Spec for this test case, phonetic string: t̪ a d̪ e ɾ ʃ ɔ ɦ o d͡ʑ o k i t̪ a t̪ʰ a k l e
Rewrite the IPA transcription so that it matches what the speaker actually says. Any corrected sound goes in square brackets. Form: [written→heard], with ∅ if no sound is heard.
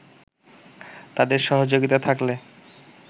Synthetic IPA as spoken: t̪ a d̪ e ɾ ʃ ɔ ɦ o d͡ʑ o [k→ɡ] i t̪ a t̪ʰ a k l e